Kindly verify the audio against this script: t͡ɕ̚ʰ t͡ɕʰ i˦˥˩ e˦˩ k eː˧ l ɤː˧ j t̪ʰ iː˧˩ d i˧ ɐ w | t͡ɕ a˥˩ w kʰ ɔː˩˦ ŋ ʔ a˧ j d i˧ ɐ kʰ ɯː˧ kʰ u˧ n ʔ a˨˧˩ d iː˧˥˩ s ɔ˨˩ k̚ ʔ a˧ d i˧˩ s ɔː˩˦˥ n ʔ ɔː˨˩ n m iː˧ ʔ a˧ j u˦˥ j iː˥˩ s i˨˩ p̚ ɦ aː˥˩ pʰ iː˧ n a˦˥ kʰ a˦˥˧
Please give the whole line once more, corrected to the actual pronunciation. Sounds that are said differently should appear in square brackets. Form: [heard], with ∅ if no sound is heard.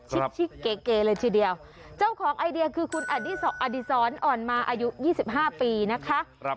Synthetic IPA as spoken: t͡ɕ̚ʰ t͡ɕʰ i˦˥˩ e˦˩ k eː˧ l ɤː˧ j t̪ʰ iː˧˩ d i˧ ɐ w | t͡ɕ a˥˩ w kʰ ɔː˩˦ ŋ ʔ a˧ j d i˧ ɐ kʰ ɯː˧ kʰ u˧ n ʔ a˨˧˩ d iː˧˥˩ s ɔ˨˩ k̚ ʔ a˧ d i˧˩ s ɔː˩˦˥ n ʔ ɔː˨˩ n m [aː˧] ʔ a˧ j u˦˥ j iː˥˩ s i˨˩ p̚ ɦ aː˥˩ [p] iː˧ n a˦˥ kʰ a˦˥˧